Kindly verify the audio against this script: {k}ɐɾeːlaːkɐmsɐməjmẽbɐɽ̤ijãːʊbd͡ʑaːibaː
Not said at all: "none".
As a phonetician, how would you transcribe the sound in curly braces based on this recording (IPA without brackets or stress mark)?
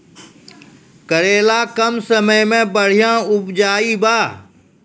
k